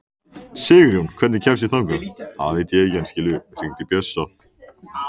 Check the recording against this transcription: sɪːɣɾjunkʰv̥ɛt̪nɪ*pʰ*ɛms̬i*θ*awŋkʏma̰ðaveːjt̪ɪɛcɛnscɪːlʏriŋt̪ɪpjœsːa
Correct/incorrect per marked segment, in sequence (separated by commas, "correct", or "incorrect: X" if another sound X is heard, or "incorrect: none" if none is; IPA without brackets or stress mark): incorrect: cʰ, correct